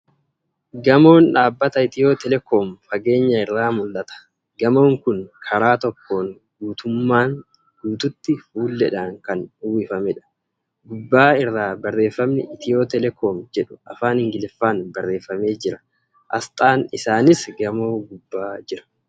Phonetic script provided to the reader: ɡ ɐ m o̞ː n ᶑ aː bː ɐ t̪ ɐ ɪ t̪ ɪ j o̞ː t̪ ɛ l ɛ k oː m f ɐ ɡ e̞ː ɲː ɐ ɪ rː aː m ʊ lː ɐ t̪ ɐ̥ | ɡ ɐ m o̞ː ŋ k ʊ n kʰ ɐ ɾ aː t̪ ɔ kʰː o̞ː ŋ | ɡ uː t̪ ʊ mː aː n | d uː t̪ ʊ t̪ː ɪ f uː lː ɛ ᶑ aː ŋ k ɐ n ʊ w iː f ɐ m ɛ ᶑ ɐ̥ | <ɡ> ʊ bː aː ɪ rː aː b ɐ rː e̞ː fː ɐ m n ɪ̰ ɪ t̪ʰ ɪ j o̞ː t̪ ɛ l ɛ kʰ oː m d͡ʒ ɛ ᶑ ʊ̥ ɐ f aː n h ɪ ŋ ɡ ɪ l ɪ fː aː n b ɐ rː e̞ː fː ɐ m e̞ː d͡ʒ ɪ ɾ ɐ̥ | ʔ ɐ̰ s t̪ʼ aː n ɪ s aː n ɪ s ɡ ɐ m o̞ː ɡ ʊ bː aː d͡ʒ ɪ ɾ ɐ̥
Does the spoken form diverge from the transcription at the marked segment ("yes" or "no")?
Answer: no